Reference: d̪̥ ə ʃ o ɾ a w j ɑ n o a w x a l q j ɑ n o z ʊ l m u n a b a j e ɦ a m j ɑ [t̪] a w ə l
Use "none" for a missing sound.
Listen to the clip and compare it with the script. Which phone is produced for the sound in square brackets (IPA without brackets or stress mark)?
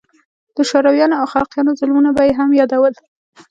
d̪